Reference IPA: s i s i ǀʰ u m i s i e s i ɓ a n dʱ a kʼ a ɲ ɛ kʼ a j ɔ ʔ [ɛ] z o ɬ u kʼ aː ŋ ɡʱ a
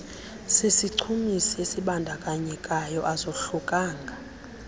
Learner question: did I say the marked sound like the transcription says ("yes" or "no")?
no